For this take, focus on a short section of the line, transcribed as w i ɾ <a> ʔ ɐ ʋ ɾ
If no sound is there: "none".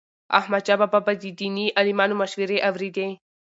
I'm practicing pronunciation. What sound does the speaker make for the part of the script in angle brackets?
e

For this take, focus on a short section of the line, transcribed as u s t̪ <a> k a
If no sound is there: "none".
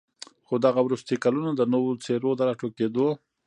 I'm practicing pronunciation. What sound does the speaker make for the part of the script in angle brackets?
i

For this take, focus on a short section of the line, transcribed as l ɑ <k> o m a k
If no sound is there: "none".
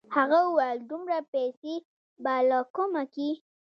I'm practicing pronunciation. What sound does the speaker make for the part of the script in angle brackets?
k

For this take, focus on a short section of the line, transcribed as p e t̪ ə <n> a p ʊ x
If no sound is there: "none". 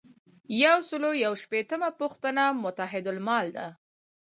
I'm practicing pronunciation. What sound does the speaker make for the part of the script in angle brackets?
m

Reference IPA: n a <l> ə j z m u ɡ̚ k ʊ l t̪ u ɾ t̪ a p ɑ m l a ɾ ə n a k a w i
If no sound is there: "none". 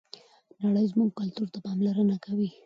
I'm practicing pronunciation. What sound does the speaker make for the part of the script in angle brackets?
ɽ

